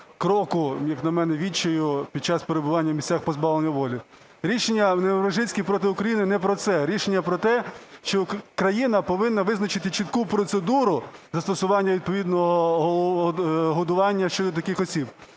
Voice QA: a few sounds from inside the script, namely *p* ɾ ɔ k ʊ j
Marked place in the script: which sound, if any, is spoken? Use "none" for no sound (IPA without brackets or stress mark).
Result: k